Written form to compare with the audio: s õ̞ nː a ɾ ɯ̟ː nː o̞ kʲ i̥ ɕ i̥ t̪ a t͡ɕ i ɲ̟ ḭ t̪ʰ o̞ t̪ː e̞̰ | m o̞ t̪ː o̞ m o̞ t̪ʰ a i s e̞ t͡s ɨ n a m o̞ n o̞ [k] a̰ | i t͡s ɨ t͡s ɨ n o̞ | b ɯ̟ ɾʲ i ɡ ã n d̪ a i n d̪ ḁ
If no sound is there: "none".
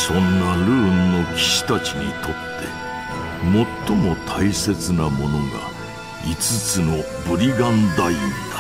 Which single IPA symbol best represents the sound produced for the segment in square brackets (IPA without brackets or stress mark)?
ɡ